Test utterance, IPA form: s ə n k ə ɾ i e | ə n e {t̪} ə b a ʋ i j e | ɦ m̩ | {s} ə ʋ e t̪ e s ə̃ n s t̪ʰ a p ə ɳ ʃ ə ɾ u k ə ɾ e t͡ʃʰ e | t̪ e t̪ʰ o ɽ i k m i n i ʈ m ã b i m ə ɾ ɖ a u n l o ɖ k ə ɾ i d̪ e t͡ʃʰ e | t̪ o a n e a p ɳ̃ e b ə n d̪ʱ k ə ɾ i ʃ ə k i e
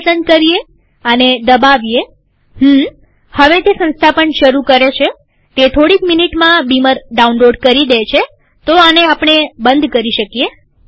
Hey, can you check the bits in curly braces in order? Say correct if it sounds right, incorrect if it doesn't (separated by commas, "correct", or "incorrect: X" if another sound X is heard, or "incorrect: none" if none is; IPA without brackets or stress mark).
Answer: incorrect: d̪, incorrect: h